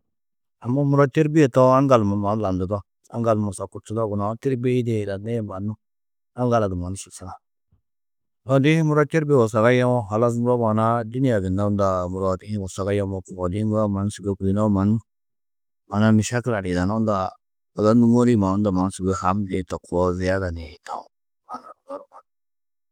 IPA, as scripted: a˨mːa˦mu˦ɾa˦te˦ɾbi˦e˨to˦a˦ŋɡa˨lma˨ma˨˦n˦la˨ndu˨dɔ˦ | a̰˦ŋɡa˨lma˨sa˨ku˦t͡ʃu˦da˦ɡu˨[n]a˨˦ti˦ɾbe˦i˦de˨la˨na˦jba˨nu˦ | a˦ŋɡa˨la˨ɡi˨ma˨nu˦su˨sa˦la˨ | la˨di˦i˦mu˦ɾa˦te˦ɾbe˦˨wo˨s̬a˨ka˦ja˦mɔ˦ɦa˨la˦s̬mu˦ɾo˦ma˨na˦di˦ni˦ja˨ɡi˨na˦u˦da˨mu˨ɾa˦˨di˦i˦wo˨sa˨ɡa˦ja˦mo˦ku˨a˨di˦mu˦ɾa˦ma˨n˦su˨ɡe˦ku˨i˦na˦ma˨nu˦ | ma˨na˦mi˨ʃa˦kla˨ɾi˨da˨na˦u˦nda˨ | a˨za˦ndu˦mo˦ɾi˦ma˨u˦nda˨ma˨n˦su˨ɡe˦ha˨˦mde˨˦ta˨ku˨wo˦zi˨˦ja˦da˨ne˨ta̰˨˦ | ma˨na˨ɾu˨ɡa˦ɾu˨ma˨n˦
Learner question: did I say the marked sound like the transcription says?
yes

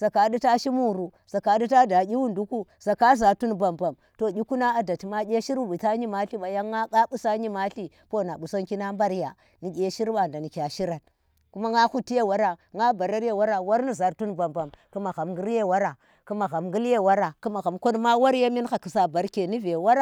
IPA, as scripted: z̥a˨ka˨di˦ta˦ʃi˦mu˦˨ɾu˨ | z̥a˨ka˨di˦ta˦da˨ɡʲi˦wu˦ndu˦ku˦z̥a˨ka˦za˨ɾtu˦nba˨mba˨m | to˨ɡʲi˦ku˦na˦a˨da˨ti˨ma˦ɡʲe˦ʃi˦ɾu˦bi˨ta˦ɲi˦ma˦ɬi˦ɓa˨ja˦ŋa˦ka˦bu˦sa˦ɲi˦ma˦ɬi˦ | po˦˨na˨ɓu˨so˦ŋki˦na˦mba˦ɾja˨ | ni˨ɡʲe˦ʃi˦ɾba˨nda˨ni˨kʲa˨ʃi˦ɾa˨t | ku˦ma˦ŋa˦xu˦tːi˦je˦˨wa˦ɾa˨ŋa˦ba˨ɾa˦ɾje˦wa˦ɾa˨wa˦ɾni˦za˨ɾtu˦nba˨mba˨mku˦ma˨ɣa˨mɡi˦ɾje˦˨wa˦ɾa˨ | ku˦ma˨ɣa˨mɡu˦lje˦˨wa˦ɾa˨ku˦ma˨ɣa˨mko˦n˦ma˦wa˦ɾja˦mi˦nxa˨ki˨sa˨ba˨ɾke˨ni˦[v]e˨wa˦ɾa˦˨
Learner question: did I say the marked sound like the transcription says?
yes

